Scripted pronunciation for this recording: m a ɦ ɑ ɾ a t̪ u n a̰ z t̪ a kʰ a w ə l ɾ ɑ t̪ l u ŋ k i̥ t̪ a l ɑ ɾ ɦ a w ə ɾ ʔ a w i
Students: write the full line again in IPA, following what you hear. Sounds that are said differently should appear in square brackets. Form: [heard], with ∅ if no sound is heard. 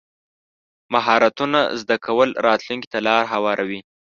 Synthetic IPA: m a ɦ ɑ ɾ a t̪ u n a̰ z [d̪] a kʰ a w ə l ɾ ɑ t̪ l u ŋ k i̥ t̪ a l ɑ ɾ ɦ a w [ɑ] ɾ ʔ a w i